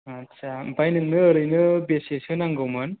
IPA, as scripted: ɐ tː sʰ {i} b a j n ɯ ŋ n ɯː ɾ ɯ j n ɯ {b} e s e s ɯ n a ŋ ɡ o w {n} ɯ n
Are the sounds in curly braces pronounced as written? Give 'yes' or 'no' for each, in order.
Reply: no, yes, no

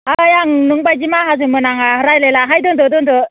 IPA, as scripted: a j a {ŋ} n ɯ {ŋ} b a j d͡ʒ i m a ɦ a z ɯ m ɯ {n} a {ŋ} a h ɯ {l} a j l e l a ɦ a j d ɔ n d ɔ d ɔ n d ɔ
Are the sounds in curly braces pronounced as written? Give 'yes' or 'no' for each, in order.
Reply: yes, yes, yes, yes, no

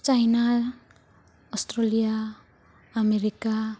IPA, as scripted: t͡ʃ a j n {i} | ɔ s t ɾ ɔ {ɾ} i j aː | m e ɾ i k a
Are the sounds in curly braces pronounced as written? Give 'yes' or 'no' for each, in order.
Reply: no, no

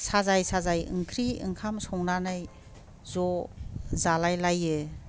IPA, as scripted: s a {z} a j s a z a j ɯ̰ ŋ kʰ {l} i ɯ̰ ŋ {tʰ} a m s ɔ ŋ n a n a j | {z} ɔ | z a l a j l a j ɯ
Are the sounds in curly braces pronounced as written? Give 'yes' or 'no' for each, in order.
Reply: yes, no, no, yes

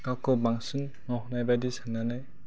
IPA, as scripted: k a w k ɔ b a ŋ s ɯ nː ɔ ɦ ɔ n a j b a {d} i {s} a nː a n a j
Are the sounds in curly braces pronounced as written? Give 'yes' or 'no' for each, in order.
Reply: yes, yes

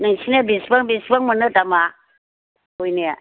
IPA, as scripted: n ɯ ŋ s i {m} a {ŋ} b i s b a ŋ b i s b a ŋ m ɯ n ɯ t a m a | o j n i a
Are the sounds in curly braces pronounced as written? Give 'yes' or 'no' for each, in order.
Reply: no, no

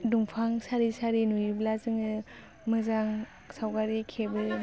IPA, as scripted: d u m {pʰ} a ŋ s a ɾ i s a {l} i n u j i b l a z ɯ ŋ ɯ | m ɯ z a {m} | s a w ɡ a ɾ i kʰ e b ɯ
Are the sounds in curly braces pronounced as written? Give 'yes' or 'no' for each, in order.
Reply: yes, no, no

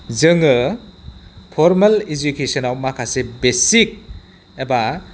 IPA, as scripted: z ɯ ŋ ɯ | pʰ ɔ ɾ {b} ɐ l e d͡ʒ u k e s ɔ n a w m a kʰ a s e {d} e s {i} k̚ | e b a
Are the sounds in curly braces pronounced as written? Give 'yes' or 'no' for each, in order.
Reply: no, no, yes

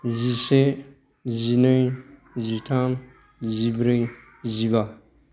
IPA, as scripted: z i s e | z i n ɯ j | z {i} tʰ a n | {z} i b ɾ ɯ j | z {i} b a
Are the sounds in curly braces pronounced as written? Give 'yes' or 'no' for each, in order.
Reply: yes, yes, yes

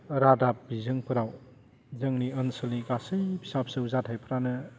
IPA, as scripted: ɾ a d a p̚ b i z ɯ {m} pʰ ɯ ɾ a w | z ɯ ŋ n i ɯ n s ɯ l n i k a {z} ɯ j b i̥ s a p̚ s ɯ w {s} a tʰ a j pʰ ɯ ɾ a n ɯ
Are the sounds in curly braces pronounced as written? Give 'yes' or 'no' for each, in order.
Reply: no, no, no

